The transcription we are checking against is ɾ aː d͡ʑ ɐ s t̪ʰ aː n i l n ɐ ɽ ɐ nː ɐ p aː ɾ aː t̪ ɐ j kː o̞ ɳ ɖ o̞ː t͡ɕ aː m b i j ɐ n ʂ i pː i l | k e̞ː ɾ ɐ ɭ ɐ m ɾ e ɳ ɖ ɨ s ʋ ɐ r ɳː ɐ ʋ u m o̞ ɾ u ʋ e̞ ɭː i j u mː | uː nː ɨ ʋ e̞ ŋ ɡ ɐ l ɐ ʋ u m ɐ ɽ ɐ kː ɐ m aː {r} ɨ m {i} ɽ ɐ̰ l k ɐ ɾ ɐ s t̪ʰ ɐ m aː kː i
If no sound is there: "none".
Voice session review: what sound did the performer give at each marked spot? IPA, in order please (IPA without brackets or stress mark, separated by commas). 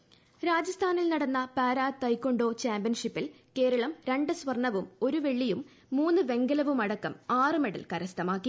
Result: r, e